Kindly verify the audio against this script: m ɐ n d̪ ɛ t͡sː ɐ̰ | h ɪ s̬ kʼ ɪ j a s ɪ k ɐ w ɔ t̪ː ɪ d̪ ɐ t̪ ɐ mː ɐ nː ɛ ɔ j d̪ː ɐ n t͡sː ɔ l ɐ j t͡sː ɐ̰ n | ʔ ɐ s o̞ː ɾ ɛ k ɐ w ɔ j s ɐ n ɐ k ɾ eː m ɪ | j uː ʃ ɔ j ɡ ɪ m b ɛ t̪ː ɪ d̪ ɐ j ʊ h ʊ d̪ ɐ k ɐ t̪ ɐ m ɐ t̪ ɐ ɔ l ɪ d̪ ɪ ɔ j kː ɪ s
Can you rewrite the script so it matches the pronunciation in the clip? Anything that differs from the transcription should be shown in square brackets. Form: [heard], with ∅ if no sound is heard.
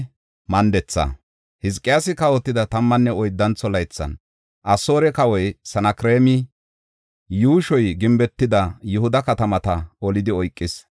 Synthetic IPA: m ɐ n d̪ ɛ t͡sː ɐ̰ | h ɪ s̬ kʼ ɪ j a s ɪ k ɐ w ɔ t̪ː ɪ d̪ ɐ t̪ ɐ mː ɐ nː ɛ ɔ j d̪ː ɐ n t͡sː ɔ l ɐ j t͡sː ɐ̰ n | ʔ ɐ s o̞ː ɾ ɛ k ɐ w ɔ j s ɐ n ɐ k ɾ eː m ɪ | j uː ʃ ɔ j ɡ ɪ m b ɛ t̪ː ɪ d̪ ɐ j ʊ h ʊ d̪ ɐ k ɐ t̪ ɐ m ɐ t̪ ɐ ɔ l ɪ d̪ ɪ ɔ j [kʼː] ɪ s